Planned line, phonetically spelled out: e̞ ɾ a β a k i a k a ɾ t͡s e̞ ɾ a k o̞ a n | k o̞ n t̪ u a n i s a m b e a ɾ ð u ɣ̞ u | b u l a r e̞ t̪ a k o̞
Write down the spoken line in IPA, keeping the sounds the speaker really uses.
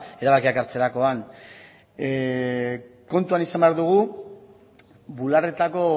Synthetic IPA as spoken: e̞ ɾ a β a k i a k a ɾ t͡s e̞ ɾ a k o̞ a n | k o̞ n t̪ u a n i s a m b e a ɾ ð u ɣ̞ u | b u l a r e̞ t̪ a k o̞